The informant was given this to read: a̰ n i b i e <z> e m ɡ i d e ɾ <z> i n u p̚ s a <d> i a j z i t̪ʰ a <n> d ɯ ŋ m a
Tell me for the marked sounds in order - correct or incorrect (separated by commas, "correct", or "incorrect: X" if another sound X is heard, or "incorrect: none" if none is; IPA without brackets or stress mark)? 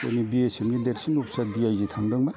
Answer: incorrect: s, incorrect: s, correct, incorrect: ŋ